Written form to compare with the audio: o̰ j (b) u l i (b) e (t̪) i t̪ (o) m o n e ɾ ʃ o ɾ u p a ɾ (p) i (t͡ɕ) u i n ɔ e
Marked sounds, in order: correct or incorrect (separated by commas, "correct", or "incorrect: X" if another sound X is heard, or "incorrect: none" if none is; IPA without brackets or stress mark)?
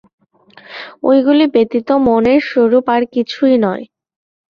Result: incorrect: ɡ, correct, correct, correct, incorrect: k, incorrect: t͡ɕʰ